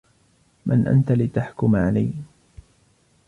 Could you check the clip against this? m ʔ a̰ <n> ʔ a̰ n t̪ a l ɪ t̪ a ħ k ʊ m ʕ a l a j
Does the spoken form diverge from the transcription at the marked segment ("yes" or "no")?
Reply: no